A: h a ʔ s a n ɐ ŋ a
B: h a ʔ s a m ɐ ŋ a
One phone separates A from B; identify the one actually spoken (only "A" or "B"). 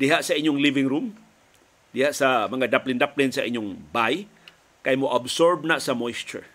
B